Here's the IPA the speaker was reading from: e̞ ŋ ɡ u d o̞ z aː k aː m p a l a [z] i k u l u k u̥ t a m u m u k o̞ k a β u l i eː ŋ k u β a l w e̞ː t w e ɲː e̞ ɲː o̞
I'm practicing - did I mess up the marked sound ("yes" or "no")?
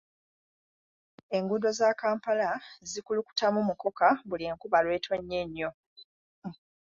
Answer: no